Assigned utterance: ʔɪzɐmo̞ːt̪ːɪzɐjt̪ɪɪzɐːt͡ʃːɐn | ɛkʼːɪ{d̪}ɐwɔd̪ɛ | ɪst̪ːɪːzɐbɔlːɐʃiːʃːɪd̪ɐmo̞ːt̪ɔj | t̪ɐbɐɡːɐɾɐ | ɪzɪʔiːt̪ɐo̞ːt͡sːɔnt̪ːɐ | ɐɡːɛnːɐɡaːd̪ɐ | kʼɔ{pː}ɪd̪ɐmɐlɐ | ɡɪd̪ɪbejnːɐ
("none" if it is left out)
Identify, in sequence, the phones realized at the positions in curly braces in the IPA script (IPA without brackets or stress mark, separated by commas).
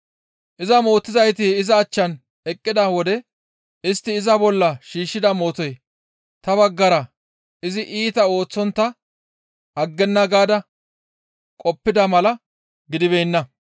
d̪, pː